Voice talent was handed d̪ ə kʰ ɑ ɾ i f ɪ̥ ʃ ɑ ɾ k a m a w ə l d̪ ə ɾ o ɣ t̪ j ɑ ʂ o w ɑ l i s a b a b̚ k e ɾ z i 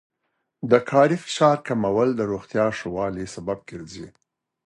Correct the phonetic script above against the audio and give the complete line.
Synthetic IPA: d̪ ə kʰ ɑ ɾ i f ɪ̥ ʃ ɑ ɾ k a m a w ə l d̪ ə ɾ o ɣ t̪ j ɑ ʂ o w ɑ l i s a b a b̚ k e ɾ z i